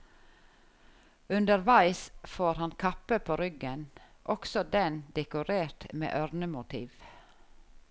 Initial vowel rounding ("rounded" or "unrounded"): rounded